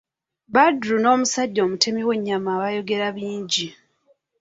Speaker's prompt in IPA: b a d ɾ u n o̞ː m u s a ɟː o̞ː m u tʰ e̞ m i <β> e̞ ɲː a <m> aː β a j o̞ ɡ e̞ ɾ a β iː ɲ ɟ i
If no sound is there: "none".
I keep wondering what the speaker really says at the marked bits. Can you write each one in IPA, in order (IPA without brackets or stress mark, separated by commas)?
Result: w, m